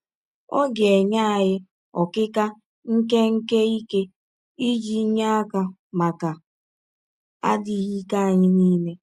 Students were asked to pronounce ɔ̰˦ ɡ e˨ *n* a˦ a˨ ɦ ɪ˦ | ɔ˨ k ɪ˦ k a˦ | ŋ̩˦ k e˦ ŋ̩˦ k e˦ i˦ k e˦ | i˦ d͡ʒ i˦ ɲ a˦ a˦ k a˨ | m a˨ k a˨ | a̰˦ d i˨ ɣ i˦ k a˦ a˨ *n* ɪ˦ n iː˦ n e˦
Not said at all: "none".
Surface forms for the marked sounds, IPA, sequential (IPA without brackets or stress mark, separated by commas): ɲ, ɲ